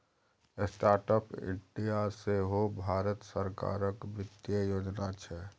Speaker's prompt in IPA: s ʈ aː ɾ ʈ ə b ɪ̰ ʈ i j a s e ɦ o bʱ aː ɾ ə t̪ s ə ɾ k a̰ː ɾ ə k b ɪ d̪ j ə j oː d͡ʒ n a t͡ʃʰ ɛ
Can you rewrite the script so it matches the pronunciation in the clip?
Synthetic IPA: s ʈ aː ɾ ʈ ə p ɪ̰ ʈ i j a s e ɦ o bʱ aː ɾ ə t̪ s ə ɾ k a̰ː ɾ ə k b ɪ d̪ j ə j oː d͡ʒ n a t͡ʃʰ ɛ